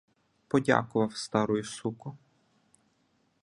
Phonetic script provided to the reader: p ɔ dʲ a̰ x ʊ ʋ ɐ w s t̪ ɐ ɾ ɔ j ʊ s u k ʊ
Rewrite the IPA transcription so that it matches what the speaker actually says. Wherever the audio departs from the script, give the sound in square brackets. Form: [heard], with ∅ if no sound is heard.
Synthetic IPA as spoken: p ɔ dʲ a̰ [k] ʊ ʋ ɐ w s t̪ [ɑ] ɾ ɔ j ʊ s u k ʊ